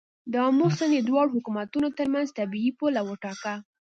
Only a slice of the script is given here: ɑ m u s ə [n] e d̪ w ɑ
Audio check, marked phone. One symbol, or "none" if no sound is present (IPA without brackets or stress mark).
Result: n